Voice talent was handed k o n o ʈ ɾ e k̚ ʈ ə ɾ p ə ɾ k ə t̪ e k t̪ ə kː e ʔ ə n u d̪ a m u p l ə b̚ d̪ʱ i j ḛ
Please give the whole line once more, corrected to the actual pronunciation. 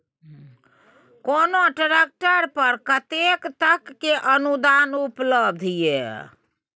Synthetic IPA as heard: k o n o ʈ ɾ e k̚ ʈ ə ɾ p ə ɾ k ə t̪ e k t̪ ə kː e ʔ ə n u d̪ a n u p l ə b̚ d̪ʱ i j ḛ